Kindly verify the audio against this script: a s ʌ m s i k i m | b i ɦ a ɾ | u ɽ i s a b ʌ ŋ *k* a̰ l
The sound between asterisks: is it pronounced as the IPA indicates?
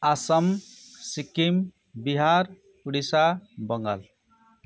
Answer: no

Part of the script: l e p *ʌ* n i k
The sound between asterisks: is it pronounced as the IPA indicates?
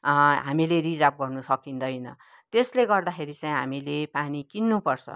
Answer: no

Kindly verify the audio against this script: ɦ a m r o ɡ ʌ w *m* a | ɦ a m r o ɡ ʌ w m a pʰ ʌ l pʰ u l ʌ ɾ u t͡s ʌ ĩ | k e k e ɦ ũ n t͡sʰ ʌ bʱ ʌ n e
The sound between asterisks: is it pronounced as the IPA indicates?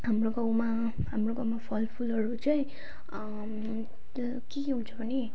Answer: yes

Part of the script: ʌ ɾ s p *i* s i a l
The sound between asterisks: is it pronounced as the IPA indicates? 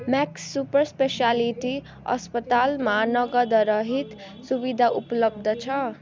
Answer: no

